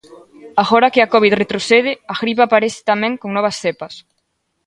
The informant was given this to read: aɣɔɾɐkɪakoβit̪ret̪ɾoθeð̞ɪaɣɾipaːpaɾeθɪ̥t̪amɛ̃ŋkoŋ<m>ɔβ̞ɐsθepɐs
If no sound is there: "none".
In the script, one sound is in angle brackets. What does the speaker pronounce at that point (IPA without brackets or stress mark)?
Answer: n